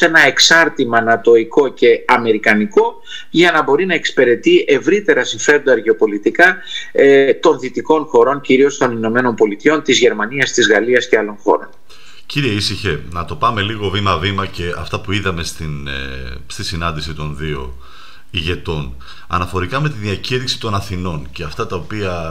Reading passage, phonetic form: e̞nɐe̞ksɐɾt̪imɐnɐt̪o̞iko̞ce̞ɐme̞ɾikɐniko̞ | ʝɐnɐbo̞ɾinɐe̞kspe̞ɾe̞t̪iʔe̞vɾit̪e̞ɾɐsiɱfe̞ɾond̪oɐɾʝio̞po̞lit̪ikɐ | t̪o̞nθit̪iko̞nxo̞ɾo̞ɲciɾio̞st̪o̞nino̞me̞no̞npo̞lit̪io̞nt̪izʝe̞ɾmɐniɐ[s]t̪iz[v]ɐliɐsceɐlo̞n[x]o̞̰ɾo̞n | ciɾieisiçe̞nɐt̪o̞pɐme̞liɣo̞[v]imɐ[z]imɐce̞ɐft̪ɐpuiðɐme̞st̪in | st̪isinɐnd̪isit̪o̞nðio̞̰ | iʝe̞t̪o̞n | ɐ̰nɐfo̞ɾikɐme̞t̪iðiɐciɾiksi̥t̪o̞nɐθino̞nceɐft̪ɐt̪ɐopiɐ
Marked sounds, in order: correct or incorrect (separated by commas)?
correct, incorrect, correct, correct, incorrect